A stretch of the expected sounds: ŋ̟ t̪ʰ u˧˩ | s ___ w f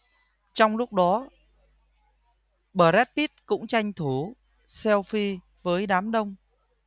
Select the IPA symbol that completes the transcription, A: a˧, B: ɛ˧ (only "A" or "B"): B